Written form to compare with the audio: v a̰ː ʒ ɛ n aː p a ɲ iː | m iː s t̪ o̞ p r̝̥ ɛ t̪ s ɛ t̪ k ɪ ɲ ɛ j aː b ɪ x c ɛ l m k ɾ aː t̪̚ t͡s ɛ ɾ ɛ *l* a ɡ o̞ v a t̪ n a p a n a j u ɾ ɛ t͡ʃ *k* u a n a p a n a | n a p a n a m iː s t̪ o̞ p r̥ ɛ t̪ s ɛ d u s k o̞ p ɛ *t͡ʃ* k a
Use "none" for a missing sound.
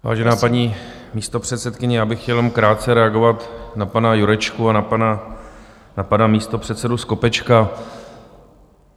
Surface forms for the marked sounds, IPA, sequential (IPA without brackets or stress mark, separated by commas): none, k, t͡ʃ